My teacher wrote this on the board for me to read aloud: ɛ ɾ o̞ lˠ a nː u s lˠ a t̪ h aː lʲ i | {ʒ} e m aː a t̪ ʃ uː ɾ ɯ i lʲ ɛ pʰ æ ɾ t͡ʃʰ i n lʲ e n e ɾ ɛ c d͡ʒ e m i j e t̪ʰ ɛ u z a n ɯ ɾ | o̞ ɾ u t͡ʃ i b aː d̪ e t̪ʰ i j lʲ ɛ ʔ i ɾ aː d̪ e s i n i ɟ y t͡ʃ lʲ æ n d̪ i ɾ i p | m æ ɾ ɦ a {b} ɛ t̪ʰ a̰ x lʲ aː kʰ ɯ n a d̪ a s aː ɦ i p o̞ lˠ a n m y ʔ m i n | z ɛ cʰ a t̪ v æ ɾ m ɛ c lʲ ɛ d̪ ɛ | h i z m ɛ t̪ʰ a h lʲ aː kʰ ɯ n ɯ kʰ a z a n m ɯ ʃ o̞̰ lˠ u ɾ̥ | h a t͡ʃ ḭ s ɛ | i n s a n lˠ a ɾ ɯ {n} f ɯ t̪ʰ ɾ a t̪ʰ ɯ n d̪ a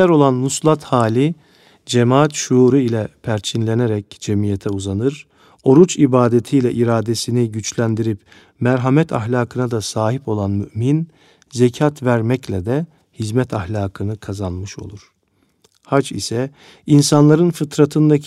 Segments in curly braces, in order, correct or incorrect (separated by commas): incorrect, incorrect, correct